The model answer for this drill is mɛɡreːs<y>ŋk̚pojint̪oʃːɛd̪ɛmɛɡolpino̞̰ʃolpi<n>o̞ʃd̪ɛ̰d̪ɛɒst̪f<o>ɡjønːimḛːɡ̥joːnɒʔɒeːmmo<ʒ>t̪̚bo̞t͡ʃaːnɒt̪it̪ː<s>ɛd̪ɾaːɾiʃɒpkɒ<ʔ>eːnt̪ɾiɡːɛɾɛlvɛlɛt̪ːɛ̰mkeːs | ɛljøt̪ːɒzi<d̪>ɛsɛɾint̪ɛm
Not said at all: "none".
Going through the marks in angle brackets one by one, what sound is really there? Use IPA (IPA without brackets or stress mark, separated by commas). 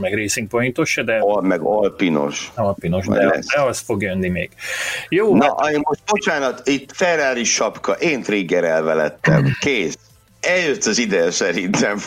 i, n, o, ʃ, f, ʔ, d̪